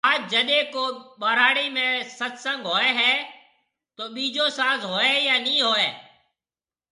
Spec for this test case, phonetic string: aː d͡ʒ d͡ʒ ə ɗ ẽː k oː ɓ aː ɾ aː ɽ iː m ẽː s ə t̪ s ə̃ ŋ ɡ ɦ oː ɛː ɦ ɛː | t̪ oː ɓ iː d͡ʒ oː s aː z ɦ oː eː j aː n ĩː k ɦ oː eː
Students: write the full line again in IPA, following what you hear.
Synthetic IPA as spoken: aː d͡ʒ d͡ʒ ə ɗ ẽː k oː ɓ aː ɾ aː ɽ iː m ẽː s ə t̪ s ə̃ ŋ ɡ ɦ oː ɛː ɦ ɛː | t̪ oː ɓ iː d͡ʒ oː s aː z ɦ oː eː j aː n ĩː ɦ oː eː